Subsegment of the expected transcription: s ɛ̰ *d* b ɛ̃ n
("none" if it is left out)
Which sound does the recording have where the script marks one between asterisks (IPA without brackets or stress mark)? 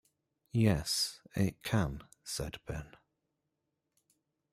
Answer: d